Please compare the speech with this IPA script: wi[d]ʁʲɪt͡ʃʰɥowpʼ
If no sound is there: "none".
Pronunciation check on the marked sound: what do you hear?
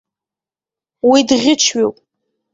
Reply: d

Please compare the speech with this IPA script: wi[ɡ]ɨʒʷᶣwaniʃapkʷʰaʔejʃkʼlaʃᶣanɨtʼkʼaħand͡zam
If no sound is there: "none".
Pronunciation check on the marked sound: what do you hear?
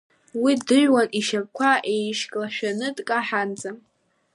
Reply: d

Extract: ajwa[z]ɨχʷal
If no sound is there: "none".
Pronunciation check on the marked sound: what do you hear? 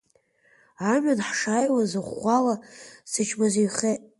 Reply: z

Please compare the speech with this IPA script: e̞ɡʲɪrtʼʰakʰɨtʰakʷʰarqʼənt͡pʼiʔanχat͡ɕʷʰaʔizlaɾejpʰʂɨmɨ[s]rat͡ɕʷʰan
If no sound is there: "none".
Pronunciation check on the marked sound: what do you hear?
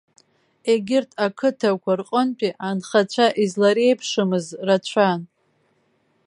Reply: z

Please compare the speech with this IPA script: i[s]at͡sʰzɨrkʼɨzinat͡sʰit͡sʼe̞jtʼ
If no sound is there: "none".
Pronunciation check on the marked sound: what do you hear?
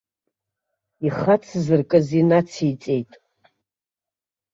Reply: χ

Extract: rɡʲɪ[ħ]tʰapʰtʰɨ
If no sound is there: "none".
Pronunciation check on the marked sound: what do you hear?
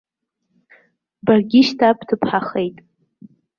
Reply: ʃ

